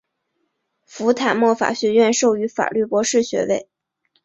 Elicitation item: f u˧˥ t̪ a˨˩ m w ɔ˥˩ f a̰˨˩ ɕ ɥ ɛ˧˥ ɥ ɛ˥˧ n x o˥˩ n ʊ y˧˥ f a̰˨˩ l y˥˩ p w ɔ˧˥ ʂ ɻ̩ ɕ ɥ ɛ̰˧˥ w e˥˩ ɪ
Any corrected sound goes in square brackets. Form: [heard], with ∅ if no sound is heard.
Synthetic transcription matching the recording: f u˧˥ [t̪ʰ] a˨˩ m w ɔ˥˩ f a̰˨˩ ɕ ɥ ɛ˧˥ ɥ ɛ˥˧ n [ʂ] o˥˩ [∅] ʊ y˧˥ f a̰˨˩ l y˥˩ p w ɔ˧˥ ʂ ɻ̩ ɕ ɥ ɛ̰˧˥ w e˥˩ ɪ

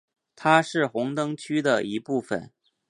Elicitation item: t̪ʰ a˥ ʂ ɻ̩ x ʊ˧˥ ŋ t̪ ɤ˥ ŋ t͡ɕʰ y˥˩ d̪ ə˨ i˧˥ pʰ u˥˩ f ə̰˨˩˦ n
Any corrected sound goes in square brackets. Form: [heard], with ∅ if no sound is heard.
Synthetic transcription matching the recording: t̪ʰ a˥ ʂ ɻ̩ x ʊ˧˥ ŋ t̪ ɤ˥ ŋ t͡ɕʰ [y˥] d̪ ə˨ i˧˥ [p] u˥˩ f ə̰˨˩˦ n

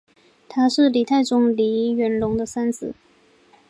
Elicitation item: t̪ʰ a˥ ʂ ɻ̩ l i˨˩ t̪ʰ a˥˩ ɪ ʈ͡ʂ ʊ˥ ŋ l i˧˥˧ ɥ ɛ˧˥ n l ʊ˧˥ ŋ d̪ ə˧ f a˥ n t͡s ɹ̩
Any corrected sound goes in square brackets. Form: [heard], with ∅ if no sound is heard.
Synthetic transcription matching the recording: t̪ʰ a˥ ʂ ɻ̩ l i˨˩ t̪ʰ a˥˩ ɪ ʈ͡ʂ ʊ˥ ŋ l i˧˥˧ ɥ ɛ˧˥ n l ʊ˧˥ ŋ d̪ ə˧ [s] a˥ n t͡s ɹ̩

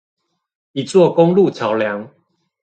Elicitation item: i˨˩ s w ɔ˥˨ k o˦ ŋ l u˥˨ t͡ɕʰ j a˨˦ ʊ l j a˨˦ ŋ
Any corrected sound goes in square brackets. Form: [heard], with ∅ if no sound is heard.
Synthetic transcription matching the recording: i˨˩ [t͡s] w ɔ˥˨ k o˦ ŋ l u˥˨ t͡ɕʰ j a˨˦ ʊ l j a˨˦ ŋ

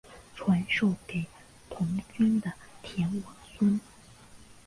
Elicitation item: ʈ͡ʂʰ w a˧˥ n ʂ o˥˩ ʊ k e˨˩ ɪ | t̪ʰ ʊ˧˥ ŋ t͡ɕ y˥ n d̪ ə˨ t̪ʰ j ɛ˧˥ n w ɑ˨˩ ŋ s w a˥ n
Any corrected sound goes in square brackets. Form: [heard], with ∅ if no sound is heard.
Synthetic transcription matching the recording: ʈ͡ʂʰ w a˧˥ n ʂ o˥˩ ʊ k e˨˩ ɪ | t̪ʰ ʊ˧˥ ŋ t͡ɕ y˥ n d̪ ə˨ t̪ʰ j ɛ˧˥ n w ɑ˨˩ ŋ s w [ə˥] n

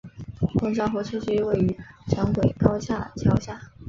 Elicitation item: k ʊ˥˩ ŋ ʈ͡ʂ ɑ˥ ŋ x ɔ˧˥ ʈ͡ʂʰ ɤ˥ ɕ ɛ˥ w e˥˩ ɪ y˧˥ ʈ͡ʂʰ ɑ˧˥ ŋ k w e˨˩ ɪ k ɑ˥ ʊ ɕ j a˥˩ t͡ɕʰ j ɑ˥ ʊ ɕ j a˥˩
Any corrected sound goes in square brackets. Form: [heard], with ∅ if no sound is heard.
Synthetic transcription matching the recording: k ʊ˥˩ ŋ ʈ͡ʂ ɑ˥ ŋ x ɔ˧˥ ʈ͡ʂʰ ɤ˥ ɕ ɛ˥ w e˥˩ ɪ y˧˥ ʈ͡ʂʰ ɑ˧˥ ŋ k w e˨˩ ɪ k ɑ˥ ʊ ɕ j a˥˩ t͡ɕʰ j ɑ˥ ʊ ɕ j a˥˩

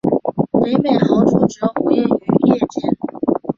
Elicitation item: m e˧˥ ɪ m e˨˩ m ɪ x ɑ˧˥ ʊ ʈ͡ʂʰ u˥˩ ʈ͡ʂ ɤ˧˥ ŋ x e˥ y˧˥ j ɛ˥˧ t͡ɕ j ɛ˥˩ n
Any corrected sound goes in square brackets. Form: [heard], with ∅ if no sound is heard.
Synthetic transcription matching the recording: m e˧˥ ɪ m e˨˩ [∅] ɪ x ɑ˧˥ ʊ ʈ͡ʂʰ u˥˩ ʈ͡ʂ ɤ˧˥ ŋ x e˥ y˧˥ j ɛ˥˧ t͡ɕ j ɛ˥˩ n

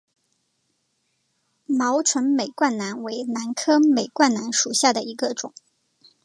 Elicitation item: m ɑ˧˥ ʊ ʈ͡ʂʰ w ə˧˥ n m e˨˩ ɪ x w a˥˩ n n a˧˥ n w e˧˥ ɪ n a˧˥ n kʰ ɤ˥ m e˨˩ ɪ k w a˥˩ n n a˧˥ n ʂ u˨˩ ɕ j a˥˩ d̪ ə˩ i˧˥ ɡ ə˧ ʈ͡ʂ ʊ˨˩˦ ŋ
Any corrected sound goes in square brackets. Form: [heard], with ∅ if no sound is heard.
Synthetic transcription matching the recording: m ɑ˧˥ ʊ ʈ͡ʂʰ w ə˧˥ n m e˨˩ ɪ [k] w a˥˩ n n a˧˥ n w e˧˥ ɪ n a˧˥ n kʰ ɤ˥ m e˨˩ ɪ k w a˥˩ n n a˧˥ n ʂ u˨˩ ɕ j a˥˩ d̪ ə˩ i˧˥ ɡ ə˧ ʈ͡ʂ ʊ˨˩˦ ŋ

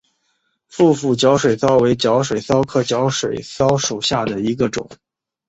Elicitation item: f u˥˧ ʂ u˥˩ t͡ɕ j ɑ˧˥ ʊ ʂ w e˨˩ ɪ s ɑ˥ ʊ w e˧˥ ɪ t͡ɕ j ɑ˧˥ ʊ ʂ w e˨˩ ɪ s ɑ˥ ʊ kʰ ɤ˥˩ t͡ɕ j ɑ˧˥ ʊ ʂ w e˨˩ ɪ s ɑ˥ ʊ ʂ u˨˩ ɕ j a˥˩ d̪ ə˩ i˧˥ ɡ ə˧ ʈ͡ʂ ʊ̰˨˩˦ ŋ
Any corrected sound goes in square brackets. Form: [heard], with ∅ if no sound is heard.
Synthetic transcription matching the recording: f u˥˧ [f] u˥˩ t͡ɕ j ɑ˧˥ ʊ ʂ w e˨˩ ɪ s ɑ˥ ʊ w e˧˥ ɪ t͡ɕ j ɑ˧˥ ʊ ʂ w e˨˩ ɪ s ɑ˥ ʊ kʰ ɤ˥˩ t͡ɕ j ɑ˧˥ ʊ ʂ w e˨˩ ɪ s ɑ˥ ʊ ʂ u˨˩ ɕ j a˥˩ d̪ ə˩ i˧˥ ɡ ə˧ ʈ͡ʂ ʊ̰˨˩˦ ŋ

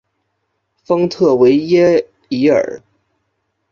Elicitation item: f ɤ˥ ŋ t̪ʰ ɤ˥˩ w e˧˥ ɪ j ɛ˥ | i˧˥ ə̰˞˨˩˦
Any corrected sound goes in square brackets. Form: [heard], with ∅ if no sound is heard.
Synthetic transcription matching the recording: f ɤ˥ ŋ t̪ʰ ɤ˥˩ w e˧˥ ɪ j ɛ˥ | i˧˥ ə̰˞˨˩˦

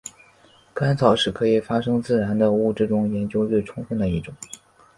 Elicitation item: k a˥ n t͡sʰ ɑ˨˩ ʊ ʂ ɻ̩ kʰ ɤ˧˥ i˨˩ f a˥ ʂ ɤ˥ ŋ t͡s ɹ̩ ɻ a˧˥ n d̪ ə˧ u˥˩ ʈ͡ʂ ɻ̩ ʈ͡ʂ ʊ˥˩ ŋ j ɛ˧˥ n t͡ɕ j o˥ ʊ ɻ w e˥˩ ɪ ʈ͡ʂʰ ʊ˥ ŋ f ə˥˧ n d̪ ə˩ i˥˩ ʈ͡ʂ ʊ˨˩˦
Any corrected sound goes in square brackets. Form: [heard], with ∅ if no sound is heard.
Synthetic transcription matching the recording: k a˥ n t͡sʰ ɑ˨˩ ʊ ʂ ɻ̩ kʰ ɤ˧˥ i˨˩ f a˥ ʂ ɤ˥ ŋ t͡s ɹ̩ ɻ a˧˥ n d̪ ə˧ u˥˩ ʈ͡ʂ ɻ̩ ʈ͡ʂ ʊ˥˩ ŋ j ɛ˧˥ n t͡ɕ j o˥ ʊ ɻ w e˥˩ ɪ ʈ͡ʂʰ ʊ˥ ŋ f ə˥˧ n d̪ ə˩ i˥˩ ʈ͡ʂ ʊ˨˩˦

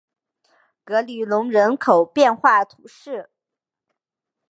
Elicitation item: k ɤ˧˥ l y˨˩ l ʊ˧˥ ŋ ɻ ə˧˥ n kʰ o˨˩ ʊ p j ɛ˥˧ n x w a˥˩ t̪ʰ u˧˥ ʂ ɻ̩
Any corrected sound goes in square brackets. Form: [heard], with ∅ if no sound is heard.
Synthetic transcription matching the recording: k ɤ˧˥ l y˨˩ l ʊ˧˥ ŋ ɻ ə˧˥ n kʰ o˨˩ ʊ p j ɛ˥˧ n x w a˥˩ t̪ʰ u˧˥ ʂ ɻ̩

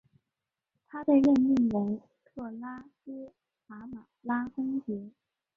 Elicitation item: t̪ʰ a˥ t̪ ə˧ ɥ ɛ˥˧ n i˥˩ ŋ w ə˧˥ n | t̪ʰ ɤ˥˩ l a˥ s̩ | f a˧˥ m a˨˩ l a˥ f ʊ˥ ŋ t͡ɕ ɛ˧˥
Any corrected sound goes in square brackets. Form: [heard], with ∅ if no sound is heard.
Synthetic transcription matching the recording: t̪ʰ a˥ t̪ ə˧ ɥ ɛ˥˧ n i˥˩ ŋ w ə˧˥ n | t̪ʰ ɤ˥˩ l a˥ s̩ | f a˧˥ m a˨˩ l a˥ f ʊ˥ ŋ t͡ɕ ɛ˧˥

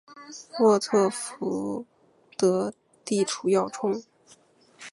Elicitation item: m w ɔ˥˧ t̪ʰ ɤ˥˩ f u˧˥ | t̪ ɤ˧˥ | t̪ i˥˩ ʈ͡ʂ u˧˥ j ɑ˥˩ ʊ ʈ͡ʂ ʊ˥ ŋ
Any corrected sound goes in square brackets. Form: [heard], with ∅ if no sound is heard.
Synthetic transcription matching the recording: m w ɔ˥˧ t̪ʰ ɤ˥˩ f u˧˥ | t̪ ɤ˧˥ | t̪ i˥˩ [ʈ͡ʂʰ] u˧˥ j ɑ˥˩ ʊ [ʈ͡ʂʰ] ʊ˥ ŋ

